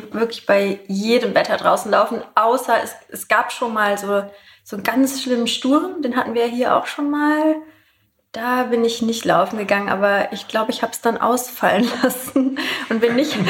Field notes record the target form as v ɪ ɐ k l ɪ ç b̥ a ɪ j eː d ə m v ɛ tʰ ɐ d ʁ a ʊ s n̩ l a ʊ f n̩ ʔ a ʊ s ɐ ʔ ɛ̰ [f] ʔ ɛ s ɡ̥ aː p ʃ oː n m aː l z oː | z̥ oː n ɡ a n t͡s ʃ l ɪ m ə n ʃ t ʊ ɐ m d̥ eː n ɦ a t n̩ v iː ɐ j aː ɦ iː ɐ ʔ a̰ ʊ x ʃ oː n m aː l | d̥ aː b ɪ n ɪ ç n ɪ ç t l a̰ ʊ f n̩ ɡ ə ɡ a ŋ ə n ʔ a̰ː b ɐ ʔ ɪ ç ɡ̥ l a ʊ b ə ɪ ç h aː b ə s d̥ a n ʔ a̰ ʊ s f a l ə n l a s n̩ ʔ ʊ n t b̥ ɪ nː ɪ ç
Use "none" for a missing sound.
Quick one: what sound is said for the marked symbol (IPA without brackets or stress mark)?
s